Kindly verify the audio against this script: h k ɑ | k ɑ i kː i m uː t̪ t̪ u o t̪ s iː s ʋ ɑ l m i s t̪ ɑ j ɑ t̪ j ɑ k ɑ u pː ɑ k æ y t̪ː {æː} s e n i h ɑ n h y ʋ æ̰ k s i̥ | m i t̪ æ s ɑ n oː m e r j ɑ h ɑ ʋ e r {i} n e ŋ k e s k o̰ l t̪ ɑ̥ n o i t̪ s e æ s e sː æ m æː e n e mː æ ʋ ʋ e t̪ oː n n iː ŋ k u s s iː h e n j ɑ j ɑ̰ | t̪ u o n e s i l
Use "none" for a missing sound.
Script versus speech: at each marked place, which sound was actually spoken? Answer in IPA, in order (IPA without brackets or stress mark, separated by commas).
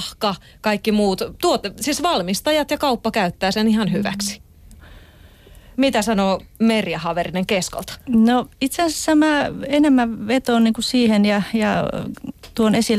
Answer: æː, i